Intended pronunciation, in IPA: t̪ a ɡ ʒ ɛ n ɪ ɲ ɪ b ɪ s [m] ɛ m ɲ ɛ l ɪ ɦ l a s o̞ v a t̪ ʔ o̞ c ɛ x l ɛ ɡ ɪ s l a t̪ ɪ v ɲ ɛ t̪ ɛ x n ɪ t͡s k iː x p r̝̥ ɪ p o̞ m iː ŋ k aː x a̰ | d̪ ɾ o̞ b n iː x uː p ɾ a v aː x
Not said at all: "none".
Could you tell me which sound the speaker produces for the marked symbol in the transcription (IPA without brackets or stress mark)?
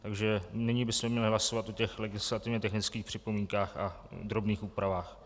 m